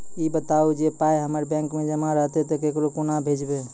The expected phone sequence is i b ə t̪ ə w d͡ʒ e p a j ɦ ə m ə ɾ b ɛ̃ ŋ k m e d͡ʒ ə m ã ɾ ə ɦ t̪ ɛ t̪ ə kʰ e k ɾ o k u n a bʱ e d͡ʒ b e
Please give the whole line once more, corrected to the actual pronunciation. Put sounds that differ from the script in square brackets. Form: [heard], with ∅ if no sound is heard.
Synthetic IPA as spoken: i b ə t̪ [a] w d͡ʒ e p a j ɦ ə m ə ɾ b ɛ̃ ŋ k m e d͡ʒ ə m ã ɾ ə ɦ t̪ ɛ t̪ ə [k] e k ɾ o k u n a bʱ e d͡ʒ b e